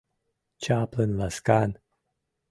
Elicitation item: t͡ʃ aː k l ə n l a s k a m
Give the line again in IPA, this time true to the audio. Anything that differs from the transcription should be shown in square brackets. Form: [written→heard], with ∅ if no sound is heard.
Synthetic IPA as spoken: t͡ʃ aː [k→p] l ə n l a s k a [m→n]